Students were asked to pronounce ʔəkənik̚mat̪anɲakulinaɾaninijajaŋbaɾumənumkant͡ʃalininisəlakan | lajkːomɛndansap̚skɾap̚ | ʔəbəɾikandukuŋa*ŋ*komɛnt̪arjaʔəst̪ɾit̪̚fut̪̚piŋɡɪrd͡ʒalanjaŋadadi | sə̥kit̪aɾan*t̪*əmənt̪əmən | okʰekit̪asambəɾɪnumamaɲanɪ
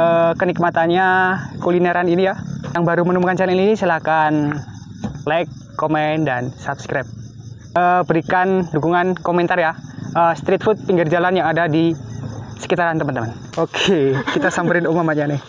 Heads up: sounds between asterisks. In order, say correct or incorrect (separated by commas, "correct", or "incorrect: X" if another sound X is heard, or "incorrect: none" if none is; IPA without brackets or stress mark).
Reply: incorrect: n, correct